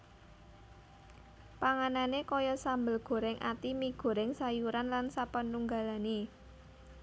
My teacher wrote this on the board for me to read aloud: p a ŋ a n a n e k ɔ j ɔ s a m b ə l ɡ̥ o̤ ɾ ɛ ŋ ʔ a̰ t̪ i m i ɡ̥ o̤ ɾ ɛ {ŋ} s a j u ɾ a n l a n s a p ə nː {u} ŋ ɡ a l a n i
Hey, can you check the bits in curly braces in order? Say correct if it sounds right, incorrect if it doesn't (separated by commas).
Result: correct, correct